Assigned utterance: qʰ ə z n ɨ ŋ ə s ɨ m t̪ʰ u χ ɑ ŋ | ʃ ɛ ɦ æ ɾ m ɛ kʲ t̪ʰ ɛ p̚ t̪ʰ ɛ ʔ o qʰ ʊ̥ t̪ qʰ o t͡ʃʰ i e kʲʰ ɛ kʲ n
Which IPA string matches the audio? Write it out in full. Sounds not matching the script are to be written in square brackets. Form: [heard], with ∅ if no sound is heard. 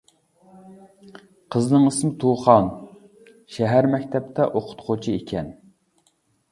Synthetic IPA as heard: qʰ ə z n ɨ ŋ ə s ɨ m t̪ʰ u χ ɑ [n] | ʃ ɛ ɦ æ ɾ m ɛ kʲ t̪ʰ ɛ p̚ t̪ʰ ɛ ʔ o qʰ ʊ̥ t̪ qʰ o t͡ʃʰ i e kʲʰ ɛ [∅] n